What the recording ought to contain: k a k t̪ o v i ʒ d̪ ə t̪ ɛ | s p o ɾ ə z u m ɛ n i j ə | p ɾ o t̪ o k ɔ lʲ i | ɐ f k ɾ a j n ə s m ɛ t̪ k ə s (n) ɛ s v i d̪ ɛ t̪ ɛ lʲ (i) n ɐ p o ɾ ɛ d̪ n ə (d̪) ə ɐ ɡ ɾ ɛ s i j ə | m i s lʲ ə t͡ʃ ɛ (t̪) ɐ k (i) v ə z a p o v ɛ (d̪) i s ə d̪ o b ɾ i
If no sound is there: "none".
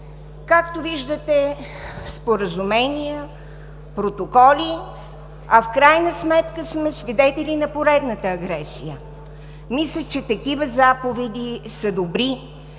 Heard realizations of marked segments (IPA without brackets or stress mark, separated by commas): m, i, t̪, t̪, i, d̪